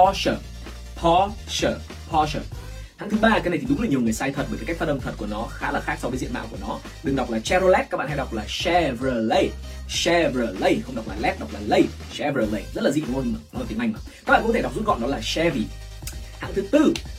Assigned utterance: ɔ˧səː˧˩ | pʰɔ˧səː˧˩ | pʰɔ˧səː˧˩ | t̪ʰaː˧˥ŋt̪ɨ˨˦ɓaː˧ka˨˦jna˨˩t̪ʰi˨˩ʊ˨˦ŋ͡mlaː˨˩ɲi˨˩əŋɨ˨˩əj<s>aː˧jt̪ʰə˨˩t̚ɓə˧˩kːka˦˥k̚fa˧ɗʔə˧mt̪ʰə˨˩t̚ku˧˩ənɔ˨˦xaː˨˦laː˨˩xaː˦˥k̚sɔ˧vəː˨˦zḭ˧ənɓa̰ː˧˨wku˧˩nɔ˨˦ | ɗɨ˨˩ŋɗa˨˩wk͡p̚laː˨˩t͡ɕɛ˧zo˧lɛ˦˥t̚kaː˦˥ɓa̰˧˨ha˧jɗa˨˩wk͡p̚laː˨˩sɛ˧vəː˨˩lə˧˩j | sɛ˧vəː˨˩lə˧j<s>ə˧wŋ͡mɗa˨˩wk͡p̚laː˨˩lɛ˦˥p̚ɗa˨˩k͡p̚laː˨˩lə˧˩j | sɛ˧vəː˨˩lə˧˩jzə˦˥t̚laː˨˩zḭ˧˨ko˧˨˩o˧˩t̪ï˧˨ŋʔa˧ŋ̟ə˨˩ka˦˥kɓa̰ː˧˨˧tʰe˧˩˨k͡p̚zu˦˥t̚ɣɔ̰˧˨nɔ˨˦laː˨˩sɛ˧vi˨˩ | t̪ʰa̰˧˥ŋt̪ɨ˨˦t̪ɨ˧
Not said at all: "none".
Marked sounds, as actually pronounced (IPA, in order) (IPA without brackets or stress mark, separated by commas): s, x